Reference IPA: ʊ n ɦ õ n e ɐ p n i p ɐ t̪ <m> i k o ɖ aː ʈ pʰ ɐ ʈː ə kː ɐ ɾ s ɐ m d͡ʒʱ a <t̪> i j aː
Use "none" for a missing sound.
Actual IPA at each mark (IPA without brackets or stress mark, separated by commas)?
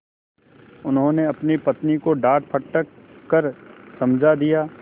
n, d̪